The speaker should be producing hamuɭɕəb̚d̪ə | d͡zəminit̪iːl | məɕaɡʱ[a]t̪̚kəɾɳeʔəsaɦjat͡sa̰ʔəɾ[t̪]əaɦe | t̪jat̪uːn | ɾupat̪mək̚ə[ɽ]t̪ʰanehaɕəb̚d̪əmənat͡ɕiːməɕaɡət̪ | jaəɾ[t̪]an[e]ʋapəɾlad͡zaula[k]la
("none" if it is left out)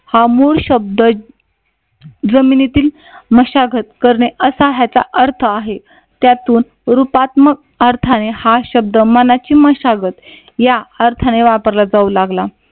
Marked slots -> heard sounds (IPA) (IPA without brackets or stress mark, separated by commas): ə, t̪ʰ, ɾ, t̪ʰ, e, ɡ